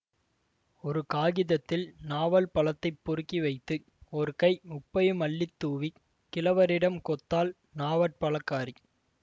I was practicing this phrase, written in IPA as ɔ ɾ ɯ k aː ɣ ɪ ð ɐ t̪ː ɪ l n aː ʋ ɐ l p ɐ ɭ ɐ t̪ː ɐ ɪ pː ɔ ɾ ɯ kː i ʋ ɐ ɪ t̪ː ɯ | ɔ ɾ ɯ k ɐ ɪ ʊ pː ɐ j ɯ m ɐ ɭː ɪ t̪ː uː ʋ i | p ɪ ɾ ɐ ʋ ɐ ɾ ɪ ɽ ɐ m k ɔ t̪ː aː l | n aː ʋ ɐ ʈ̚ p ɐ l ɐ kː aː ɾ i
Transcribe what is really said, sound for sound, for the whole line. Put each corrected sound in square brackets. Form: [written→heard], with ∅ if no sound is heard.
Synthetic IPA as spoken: ɔ ɾ ɯ k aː ɣ ɪ ð ɐ t̪ː ɪ l n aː ʋ ɐ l p ɐ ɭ ɐ t̪ː ɐ ɪ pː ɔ ɾ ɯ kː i ʋ ɐ ɪ t̪ː ɯ | ɔ ɾ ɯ k ɐ ɪ ʊ pː ɐ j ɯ m ɐ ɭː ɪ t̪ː uː ʋ i | [p→k] ɪ [ɾ→l] ɐ ʋ ɐ ɾ ɪ ɽ ɐ m k ɔ t̪ː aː l | n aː ʋ ɐ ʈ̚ p ɐ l ɐ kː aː ɾ i